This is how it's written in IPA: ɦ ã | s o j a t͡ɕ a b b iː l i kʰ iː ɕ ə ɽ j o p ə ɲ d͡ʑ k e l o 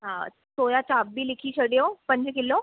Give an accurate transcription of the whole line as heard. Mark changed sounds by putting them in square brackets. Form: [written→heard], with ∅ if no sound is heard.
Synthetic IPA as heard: ɦ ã | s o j a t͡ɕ a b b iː l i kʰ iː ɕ ə ɽ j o p ə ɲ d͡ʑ k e l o